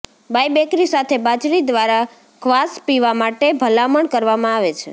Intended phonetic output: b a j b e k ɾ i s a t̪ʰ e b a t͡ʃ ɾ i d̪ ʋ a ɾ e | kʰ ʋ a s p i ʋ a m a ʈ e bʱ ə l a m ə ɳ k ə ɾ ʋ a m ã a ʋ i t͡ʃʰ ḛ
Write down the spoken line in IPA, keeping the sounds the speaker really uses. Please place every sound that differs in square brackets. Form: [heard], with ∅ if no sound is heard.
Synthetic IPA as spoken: b a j b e k ɾ i s a t̪ʰ e b a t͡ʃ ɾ i d̪ ʋ a ɾ [a] | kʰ ʋ a s p i ʋ a m a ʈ e bʱ ə l a m ə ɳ k ə ɾ ʋ a m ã a ʋ [e] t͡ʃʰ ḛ